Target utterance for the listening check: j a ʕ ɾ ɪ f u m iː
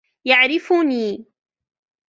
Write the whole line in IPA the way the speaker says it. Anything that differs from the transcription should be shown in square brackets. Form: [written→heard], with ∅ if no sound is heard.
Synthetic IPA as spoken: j a ʕ ɾ ɪ f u [m→n] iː